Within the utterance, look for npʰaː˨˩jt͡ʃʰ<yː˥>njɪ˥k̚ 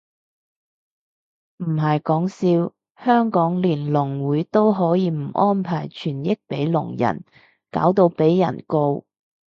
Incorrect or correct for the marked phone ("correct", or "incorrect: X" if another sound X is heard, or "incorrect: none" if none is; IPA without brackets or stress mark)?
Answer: incorrect: yː˨˩